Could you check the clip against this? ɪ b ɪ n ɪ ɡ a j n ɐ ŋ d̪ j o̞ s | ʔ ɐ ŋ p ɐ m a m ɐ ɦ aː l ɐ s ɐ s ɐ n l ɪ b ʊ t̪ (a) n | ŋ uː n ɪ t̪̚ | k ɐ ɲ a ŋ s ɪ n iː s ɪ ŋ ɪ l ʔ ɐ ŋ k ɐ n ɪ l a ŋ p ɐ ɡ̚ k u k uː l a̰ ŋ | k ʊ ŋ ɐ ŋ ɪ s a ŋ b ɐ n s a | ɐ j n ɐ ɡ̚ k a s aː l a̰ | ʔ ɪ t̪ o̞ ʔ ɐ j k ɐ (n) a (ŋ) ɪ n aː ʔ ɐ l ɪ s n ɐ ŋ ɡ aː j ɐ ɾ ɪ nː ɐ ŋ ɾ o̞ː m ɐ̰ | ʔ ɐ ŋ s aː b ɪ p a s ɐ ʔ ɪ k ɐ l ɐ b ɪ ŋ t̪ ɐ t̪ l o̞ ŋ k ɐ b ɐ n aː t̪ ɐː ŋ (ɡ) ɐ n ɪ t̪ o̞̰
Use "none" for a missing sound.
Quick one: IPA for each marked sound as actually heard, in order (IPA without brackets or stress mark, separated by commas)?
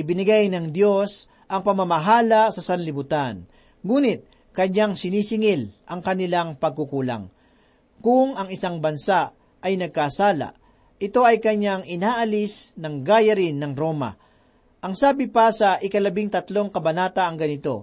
a, ɲ, ŋ, ɡ